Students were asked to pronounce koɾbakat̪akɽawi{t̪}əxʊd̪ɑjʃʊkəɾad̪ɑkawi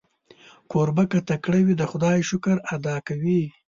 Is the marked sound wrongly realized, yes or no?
yes